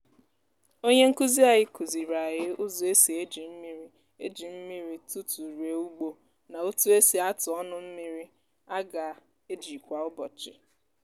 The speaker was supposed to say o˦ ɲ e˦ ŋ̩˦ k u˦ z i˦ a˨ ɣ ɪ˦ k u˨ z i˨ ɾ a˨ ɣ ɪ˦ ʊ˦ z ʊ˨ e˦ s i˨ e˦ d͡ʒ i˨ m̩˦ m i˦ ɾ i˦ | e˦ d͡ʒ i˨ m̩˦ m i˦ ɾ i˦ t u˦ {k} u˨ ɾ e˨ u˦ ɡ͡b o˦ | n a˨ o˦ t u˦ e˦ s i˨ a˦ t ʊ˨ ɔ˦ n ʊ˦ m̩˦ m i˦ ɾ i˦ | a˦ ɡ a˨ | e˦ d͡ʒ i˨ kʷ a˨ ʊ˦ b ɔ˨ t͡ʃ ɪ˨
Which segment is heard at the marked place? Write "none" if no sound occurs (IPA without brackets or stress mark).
t